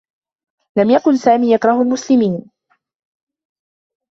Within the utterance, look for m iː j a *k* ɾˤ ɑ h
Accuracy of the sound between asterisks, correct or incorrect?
correct